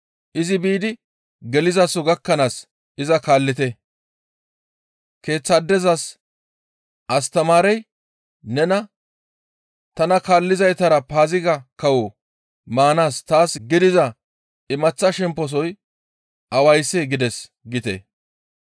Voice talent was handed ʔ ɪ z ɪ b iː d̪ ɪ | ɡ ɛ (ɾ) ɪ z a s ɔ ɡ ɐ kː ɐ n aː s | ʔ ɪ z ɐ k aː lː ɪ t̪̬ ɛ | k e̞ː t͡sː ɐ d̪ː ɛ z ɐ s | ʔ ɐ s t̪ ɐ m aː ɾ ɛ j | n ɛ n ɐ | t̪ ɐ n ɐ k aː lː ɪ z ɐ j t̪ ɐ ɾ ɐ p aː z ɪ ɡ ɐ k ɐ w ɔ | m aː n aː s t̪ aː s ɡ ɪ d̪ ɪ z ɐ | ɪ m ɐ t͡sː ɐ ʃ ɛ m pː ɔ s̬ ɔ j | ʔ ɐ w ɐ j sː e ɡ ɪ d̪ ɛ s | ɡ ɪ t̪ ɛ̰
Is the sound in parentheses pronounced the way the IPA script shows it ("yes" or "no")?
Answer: no